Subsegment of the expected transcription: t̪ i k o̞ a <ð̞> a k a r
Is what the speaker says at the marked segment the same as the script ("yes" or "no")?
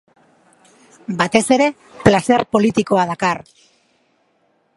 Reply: yes